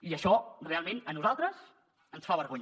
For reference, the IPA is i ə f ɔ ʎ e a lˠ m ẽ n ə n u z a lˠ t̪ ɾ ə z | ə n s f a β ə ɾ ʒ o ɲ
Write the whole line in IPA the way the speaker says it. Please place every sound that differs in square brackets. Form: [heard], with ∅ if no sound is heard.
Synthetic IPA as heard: i ə [ʃ] ɔ [r] e a lˠ m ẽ n ə n u z a lˠ t̪ ɾ ə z | ə n s f a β ə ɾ [ɣ] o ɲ